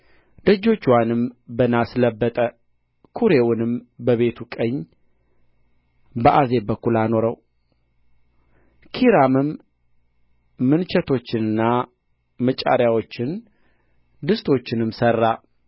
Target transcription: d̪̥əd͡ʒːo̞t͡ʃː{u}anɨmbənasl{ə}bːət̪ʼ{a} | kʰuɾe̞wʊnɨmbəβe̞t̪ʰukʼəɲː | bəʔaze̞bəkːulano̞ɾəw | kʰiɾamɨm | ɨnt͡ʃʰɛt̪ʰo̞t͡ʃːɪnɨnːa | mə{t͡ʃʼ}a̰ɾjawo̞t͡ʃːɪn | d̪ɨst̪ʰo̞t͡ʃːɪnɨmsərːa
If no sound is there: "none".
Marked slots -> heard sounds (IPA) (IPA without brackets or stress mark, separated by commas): w, ə, ə, t͡ʃʼ